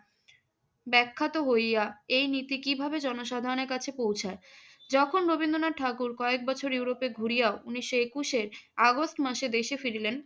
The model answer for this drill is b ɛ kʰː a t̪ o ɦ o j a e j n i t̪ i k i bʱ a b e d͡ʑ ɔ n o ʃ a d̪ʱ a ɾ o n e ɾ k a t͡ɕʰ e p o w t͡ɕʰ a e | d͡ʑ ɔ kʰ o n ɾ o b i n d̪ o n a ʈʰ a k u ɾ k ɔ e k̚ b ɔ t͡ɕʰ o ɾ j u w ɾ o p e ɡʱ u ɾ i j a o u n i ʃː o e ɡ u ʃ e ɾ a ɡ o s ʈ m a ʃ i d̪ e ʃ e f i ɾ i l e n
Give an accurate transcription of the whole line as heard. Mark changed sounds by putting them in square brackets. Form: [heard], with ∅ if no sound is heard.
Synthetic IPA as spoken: b ɛ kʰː a t̪ o ɦ o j a e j n i t̪ i k i bʱ a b e d͡ʑ ɔ n o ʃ a d̪ʱ a ɾ o n e ɾ k a t͡ɕʰ e p o w t͡ɕʰ a e | d͡ʑ ɔ kʰ o n ɾ o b i n d̪ o n a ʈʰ a k u ɾ k ɔ e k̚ b ɔ t͡ɕʰ o ɾ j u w ɾ o p e ɡʱ u ɾ i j a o u n i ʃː o e [k] u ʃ e ɾ a ɡ o s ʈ m a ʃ [e] d̪ e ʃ e f i ɾ i l e n